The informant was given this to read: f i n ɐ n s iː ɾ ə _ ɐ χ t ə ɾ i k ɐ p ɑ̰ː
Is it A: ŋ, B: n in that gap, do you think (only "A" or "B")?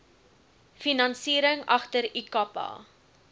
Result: A